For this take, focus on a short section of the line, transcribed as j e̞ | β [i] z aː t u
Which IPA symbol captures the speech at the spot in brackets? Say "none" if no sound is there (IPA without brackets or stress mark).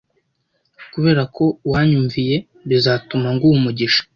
i